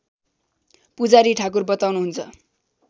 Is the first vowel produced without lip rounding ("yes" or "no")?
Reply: no